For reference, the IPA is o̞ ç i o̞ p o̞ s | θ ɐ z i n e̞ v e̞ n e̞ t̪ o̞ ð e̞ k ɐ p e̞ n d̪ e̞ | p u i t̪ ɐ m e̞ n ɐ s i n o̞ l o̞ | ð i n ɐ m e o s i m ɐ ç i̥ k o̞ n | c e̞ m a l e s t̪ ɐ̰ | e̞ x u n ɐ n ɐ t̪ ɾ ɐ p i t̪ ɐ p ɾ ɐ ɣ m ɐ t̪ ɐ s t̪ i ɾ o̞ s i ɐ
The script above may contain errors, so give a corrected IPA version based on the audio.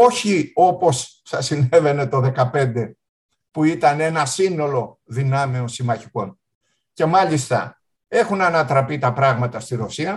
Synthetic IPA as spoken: o̞ ç i o̞ p o̞ s | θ ɐ s i n e̞ v e̞ n e̞ t̪ o̞ ð e̞ k ɐ p e̞ n d̪ e̞ | p u i t̪ ɐ n e̞ n ɐ s i n o̞ l o̞ | ð i n ɐ m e o s i m ɐ ç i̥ k o̞ n | c e̞ m ɐ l i s t̪ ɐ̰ | e̞ x u n ɐ n ɐ t̪ ɾ ɐ p i t̪ ɐ p ɾ ɐ ɣ m ɐ t̪ ɐ s t̪ i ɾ o̞ s i ɐ